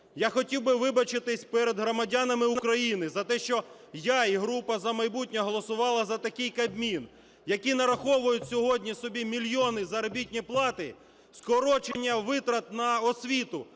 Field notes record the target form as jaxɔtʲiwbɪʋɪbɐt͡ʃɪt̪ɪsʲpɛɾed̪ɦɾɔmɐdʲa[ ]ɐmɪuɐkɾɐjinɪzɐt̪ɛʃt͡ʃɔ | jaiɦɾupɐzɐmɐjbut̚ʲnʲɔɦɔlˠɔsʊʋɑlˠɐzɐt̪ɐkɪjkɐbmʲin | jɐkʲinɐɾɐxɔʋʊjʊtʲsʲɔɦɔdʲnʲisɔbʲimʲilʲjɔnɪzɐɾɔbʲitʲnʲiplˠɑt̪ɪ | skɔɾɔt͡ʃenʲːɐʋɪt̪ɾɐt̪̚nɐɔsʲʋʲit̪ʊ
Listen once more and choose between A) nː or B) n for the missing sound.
B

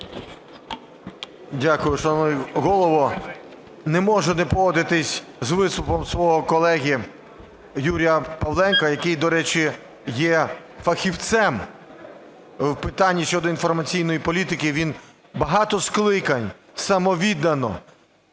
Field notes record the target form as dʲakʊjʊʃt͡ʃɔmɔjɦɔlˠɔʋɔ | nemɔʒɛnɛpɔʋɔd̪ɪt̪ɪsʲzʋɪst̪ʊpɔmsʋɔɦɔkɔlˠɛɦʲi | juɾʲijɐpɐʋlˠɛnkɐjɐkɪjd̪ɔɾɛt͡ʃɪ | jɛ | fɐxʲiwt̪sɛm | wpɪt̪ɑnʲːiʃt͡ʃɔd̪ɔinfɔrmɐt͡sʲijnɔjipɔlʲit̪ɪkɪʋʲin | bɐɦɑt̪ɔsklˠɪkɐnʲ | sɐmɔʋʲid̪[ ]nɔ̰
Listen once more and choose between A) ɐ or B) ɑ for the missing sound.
A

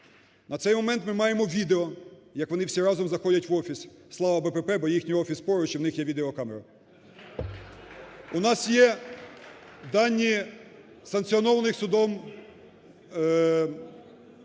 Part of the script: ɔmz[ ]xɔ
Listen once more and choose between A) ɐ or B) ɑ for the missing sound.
A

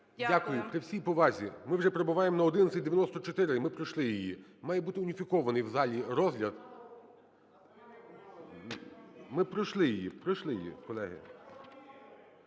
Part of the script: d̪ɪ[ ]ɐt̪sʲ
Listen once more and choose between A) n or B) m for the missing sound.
A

